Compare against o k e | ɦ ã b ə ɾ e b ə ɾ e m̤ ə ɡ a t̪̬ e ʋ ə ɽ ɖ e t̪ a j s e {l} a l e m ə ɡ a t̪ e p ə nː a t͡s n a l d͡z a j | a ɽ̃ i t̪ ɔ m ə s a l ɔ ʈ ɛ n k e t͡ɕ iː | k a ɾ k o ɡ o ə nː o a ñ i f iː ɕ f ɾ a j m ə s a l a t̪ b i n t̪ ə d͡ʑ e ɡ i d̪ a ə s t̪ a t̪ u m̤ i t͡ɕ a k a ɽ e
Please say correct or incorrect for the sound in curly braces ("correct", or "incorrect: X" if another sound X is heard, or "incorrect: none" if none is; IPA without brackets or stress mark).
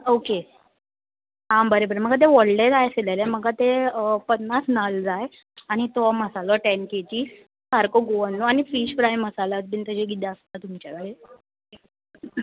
correct